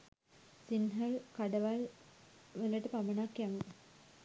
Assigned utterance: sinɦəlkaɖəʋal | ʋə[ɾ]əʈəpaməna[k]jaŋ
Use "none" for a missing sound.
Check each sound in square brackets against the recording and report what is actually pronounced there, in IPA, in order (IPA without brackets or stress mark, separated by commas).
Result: l, k